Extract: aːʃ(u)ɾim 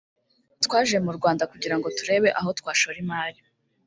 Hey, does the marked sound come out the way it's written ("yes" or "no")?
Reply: no